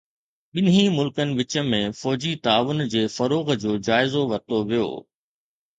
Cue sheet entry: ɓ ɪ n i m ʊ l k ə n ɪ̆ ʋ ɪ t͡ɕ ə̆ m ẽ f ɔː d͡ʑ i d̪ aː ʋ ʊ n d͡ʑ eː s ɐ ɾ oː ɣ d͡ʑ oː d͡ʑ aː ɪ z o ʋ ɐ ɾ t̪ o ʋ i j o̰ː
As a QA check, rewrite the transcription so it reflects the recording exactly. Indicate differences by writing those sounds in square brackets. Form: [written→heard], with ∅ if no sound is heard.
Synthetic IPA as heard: ɓ ɪ n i m ʊ l k ə n ɪ̆ ʋ ɪ t͡ɕ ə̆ m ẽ f ɔː d͡ʑ i [d̪→t̪] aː ʋ ʊ n d͡ʑ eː [s→f] ɐ ɾ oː ɣ d͡ʑ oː d͡ʑ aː ɪ z o ʋ ɐ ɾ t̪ o ʋ i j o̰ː